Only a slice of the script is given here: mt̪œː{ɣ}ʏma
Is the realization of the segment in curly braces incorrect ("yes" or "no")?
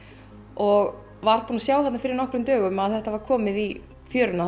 no